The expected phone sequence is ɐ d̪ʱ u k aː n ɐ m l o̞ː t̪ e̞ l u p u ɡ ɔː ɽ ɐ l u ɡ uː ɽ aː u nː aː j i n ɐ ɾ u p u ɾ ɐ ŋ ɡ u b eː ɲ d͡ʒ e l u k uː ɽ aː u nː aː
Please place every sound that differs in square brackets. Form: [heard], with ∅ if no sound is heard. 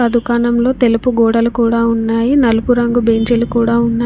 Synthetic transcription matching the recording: ɐ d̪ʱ u k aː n ɐ m l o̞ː t̪ e̞ l u p u ɡ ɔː ɽ ɐ l u [k] uː ɽ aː u nː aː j i n ɐ [l] u p u ɾ ɐ ŋ ɡ u b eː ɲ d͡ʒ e l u k uː ɽ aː u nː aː